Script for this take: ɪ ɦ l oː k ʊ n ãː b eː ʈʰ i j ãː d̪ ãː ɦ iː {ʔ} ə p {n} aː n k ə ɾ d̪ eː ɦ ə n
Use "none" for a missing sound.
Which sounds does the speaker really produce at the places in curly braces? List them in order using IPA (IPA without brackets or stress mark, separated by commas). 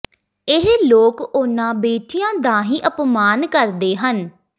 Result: ʔ, m